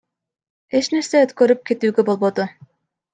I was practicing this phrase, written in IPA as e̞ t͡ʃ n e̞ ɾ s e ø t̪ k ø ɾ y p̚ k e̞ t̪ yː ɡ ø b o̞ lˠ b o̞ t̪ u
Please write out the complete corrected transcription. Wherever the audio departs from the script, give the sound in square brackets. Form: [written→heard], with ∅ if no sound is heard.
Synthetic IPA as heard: e̞ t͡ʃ n e̞ ɾ s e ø t̪ k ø ɾ y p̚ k e̞ t̪ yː ɡ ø b o̞ lˠ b o̞ [t̪→d̪] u